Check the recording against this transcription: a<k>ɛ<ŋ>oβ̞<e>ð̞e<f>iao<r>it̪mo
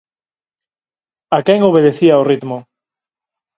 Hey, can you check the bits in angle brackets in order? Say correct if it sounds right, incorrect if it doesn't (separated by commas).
correct, correct, correct, incorrect, correct